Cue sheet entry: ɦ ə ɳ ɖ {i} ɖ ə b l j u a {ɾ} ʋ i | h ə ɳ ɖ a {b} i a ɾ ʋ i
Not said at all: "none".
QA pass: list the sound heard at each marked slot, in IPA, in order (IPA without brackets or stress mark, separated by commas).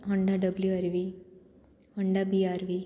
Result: a, ɾ, b